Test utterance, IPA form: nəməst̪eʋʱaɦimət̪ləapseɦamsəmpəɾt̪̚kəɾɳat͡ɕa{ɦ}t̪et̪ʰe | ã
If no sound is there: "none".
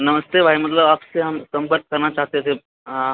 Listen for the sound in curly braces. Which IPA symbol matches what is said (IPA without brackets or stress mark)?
ɦ